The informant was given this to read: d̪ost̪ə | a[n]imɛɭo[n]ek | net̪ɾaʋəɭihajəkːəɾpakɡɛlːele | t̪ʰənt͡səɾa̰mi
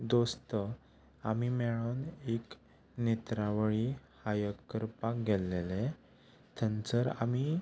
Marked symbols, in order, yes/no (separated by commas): no, yes